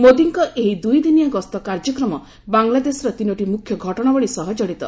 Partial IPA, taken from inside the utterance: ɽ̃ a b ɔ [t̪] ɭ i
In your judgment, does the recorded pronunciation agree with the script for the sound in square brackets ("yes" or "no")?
no